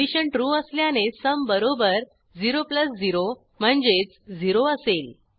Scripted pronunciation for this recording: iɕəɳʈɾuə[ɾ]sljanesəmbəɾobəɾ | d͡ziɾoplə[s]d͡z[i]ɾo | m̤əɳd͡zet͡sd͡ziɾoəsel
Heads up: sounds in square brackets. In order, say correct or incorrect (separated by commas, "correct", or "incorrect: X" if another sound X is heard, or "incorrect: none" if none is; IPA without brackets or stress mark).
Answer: incorrect: none, correct, correct